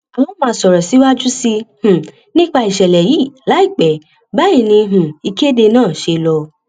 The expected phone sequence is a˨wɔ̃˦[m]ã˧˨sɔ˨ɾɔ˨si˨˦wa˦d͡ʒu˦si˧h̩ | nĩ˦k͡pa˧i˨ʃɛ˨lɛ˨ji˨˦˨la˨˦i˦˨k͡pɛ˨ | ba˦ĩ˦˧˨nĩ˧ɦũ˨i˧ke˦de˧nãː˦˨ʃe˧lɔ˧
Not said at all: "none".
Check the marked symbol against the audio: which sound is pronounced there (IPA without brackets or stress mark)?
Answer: m